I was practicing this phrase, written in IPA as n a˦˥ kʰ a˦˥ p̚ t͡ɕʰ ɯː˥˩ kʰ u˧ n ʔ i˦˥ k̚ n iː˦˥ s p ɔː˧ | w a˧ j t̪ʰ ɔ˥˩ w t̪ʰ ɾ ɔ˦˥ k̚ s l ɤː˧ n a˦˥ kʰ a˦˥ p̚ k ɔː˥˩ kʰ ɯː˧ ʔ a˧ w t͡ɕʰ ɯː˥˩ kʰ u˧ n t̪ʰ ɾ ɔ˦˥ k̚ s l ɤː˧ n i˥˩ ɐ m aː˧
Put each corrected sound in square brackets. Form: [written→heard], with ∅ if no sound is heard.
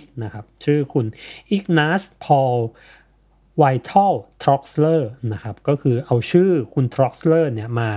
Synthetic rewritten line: n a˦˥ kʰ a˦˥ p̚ t͡ɕʰ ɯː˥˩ kʰ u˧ n ʔ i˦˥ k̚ n [iː˦˥→aː˦˥] s [p→pʰ] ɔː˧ | w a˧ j t̪ʰ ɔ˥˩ w t̪ʰ ɾ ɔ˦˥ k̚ s l [ɤː˧→ɤː˥˩] n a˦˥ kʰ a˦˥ p̚ k ɔː˥˩ kʰ ɯː˧ ʔ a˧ w t͡ɕʰ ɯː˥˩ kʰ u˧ n t̪ʰ ɾ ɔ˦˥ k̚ s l [ɤː˧→ɤː˥˩] n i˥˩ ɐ m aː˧